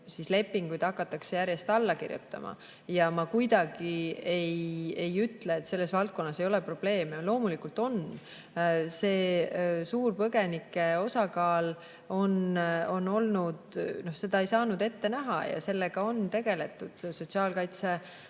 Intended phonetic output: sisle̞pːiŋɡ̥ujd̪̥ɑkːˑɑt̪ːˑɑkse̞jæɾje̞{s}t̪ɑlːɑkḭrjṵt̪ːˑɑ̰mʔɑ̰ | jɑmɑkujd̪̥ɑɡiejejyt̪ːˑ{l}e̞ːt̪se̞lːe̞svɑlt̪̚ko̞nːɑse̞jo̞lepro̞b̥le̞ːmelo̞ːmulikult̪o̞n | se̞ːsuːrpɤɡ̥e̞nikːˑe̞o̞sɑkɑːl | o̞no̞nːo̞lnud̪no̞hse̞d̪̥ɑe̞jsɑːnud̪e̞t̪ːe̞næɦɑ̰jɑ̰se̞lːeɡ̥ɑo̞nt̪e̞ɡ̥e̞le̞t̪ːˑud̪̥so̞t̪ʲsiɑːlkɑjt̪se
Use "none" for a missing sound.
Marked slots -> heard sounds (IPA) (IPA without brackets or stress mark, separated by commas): s, l